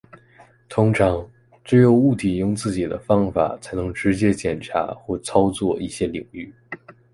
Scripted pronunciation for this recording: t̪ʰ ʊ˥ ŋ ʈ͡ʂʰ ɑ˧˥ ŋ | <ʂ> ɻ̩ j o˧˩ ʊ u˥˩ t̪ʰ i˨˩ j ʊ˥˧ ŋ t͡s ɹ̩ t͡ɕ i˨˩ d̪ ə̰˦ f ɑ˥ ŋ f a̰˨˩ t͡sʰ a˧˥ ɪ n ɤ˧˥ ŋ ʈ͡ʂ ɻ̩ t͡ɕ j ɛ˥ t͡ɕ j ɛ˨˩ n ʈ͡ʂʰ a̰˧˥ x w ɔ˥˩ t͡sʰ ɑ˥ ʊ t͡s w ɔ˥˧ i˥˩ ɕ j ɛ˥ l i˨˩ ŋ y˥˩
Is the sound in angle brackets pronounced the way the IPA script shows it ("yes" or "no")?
no